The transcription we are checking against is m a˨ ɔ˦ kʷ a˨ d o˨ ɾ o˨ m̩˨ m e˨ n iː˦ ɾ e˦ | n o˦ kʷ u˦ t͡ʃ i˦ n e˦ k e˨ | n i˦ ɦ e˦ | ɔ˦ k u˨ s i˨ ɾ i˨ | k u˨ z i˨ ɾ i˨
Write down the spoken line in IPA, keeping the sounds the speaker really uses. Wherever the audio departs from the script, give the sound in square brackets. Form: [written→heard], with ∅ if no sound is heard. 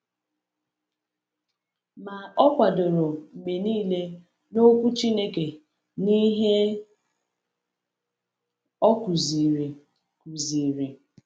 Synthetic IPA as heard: m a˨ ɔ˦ kʷ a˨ d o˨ ɾ o˨ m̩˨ m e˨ n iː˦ [ɾ→l] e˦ | n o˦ kʷ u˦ t͡ʃ i˦ n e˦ k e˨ | n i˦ ɦ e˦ | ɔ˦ k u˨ [s→z] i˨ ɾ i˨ | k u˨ z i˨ ɾ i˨